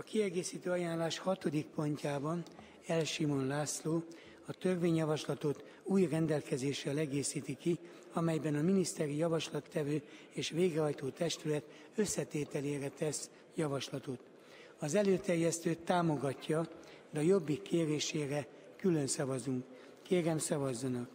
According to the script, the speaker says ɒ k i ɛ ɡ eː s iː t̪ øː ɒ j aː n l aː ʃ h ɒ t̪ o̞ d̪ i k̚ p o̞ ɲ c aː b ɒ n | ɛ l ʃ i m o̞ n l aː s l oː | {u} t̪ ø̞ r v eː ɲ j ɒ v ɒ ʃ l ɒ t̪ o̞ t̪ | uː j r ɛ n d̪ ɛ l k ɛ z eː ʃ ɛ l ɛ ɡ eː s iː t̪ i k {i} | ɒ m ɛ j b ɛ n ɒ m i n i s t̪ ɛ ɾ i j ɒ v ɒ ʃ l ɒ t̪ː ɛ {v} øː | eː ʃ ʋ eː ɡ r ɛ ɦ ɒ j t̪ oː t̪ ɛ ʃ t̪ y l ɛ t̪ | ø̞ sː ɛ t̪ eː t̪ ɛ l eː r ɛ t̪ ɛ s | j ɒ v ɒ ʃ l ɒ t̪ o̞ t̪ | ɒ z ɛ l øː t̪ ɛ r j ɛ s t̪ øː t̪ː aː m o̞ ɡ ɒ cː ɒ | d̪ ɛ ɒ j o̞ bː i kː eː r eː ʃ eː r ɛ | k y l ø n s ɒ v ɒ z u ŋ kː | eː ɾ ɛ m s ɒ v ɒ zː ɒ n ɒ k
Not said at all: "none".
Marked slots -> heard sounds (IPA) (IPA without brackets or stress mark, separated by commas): ɒ, i, v